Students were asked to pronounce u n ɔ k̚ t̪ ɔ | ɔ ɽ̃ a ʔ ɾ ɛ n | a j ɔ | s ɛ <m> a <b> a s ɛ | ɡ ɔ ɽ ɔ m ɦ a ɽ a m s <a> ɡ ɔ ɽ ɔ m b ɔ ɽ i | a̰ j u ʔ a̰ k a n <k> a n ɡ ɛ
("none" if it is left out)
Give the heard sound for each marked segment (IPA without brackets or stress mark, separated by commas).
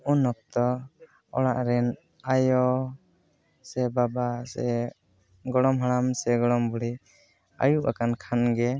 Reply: b, b, ɛ, kʰ